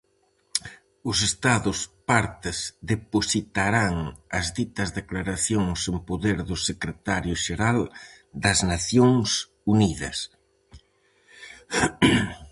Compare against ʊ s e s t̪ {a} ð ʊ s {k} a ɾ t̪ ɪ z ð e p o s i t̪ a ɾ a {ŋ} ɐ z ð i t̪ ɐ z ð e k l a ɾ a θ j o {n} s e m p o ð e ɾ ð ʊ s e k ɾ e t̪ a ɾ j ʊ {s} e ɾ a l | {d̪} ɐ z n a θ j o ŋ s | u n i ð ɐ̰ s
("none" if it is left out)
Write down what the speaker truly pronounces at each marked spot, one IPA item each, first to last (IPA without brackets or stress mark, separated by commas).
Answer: a, p, ŋ, ŋ, ʃ, d̪